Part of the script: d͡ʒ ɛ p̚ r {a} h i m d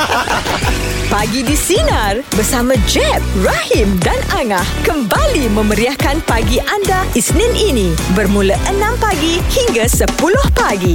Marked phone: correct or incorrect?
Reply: correct